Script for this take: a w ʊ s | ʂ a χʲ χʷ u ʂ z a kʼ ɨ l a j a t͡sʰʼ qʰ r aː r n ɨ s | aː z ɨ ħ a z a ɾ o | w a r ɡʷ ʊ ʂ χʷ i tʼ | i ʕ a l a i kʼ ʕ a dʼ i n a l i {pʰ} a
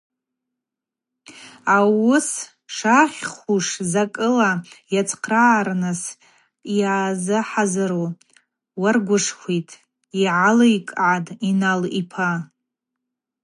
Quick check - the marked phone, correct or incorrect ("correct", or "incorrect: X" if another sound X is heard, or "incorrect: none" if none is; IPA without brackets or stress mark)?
correct